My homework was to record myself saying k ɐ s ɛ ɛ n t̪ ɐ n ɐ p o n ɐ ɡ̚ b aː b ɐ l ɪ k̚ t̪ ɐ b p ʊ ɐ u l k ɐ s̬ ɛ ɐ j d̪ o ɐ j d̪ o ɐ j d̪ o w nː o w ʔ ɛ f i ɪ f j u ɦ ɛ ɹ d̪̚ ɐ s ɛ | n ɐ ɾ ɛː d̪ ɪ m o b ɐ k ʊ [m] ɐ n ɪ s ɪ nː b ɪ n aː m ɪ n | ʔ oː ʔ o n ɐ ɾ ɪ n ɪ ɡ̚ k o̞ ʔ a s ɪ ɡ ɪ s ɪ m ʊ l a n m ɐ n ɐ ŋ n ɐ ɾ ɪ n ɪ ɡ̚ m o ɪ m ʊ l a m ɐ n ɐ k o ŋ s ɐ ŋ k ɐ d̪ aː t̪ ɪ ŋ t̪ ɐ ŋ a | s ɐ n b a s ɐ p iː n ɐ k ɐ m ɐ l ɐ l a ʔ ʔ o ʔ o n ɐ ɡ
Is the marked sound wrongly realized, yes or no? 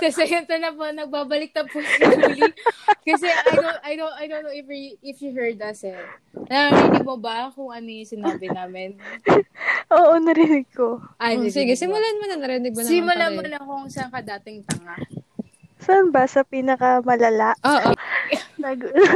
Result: yes